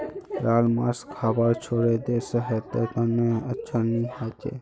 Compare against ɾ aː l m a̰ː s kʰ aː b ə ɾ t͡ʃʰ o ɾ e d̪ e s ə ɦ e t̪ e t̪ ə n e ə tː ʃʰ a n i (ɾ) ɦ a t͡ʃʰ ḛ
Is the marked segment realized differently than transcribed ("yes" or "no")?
yes